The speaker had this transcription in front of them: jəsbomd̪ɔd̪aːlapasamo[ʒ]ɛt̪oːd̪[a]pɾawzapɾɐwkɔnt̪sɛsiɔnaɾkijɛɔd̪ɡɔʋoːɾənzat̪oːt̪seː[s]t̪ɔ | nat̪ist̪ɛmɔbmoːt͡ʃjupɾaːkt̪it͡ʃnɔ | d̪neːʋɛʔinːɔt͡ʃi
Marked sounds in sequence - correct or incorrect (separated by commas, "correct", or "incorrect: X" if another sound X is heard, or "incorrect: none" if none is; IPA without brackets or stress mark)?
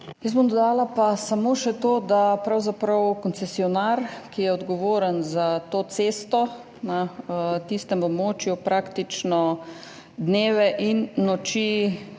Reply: incorrect: ʃ, correct, correct